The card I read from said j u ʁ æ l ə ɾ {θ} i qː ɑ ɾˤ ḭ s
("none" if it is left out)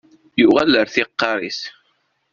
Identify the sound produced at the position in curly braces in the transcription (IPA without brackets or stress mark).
θ